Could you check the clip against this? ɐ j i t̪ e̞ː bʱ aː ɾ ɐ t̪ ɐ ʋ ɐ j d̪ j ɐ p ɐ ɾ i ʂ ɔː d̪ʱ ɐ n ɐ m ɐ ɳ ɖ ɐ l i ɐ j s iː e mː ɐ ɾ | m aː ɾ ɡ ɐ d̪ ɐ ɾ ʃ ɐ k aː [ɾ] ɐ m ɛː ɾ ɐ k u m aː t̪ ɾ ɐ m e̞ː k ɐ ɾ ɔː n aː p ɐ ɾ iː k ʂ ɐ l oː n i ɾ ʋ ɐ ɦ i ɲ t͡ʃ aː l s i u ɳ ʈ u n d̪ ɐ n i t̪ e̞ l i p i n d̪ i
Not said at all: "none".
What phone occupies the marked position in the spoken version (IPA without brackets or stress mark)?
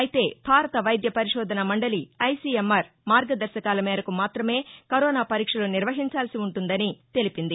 l